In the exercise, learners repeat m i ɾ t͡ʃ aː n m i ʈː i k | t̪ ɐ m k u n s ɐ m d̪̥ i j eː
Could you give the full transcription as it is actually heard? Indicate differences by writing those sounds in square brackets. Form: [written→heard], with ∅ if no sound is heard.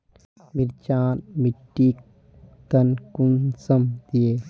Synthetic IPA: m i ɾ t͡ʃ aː n m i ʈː i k | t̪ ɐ [m→n] k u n s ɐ m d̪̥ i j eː